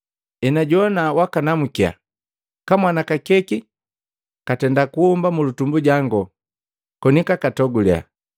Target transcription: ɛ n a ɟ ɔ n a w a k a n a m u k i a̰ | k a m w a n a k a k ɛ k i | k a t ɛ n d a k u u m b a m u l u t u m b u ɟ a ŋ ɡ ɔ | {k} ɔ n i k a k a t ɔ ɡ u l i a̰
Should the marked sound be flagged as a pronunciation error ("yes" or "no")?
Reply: no